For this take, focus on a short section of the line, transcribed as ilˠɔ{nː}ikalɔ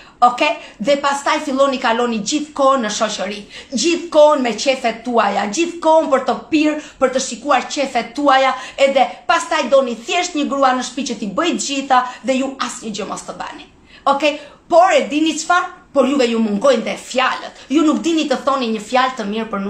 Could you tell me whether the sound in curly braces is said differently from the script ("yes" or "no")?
yes